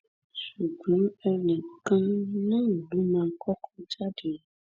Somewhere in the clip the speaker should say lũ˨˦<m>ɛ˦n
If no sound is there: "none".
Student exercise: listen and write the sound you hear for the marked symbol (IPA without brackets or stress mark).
m